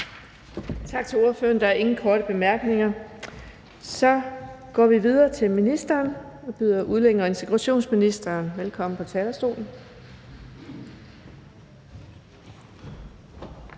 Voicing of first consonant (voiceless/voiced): voiceless